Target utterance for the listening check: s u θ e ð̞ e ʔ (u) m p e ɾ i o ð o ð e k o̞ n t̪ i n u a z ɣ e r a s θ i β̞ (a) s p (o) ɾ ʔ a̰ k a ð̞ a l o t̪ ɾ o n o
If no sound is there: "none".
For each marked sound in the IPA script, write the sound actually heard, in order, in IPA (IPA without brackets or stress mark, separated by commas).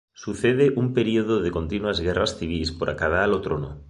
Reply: u, i, o